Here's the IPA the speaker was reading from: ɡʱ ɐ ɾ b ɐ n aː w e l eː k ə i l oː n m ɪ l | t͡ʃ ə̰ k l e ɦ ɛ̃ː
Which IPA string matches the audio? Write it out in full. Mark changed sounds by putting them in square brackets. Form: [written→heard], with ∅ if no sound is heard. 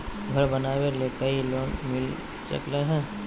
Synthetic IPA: ɡʱ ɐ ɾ b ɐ n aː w e l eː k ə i l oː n m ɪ l | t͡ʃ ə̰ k l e ɦ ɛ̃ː